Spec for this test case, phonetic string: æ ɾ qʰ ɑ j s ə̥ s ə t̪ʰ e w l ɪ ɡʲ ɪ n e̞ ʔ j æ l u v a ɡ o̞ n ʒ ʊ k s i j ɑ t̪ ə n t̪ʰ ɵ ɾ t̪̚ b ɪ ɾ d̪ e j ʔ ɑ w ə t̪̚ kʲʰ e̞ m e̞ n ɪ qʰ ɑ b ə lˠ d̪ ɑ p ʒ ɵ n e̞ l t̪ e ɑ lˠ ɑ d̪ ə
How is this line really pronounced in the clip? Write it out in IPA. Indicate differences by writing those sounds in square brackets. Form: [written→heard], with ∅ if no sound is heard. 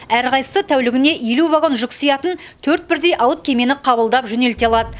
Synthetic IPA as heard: æ ɾ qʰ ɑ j s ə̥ s ə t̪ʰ [e→æ] w l ɪ ɡʲ ɪ n e̞ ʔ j [æ→e] l u v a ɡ o̞ n ʒ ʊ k s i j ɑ t̪ ə n t̪ʰ ɵ ɾ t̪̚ b ɪ ɾ d̪ e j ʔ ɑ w ə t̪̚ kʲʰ e̞ m e̞ n ɪ qʰ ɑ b ə lˠ d̪ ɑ p ʒ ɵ n e̞ l t̪ e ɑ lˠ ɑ d̪ ə